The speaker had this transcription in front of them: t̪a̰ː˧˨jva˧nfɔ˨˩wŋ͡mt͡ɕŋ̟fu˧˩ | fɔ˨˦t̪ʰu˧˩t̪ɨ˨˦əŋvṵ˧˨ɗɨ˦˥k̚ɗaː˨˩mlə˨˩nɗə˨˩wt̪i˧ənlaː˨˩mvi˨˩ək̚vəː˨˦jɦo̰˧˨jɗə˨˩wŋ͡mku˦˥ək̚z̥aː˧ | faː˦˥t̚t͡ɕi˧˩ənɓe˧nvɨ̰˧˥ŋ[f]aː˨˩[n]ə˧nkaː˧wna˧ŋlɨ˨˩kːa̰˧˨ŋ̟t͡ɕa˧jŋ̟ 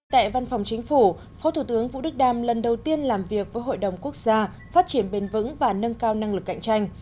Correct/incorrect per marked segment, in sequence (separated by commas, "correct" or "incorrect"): incorrect, correct